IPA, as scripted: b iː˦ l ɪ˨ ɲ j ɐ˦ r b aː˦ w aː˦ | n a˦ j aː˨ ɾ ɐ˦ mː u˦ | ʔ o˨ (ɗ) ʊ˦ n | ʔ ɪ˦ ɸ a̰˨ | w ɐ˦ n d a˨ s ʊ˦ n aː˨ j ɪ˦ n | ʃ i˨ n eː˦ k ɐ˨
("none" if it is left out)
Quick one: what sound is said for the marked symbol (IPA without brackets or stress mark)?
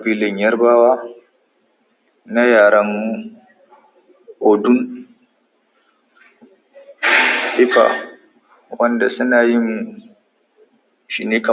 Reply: d